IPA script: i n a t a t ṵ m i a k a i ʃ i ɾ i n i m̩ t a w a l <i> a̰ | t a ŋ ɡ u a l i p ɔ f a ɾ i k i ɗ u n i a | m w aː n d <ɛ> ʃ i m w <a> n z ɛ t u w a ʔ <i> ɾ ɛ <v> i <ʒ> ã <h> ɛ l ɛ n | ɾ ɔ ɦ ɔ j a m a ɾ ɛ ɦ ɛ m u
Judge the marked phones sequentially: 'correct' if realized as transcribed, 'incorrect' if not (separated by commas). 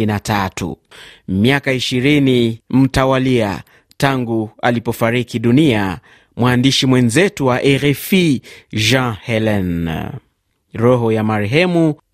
correct, incorrect, incorrect, incorrect, incorrect, correct, correct